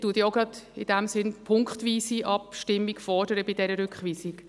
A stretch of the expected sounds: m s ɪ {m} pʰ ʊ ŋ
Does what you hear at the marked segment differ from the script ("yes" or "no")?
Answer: yes